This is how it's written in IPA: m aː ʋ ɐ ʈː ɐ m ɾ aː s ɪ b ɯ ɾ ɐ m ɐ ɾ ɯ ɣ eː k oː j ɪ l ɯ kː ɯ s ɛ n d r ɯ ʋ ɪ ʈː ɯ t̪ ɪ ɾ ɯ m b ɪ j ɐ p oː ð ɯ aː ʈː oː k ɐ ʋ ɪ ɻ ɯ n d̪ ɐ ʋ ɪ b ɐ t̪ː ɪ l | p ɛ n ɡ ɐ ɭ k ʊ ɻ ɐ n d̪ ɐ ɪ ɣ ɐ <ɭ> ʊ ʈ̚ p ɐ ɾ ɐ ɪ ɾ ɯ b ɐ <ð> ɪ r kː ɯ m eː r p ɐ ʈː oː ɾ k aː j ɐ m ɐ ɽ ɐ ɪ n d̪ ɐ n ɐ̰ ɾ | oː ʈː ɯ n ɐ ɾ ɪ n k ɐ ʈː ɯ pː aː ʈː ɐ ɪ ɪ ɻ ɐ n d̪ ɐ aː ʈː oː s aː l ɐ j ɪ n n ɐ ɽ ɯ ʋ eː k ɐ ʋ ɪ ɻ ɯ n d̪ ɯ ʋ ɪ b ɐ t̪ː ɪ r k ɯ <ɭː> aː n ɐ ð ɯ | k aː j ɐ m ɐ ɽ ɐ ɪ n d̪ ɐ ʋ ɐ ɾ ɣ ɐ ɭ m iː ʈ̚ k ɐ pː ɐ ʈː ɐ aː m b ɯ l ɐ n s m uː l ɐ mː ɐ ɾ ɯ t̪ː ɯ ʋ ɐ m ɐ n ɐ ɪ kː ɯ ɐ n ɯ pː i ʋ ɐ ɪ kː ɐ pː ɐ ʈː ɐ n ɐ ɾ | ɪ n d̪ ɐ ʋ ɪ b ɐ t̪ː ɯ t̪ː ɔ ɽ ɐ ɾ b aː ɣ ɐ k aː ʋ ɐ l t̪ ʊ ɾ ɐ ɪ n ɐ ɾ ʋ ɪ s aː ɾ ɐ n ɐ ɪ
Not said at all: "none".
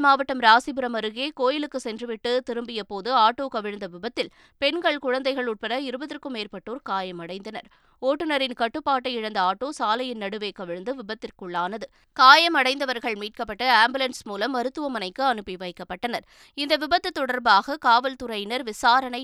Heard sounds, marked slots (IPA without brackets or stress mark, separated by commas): ɭ, ð, ɭː